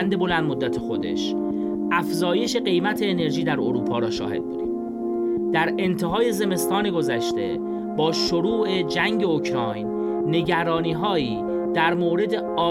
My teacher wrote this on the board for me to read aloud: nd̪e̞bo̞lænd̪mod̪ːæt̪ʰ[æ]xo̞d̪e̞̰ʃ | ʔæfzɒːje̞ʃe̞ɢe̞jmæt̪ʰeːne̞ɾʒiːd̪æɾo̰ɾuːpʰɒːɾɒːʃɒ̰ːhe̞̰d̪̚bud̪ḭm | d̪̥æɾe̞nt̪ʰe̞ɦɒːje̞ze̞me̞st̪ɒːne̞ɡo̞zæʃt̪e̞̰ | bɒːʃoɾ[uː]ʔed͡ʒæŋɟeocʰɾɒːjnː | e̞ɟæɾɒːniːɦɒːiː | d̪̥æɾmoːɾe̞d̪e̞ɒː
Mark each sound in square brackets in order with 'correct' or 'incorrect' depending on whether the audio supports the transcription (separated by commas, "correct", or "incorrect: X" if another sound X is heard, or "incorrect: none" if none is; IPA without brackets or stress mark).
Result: incorrect: e, correct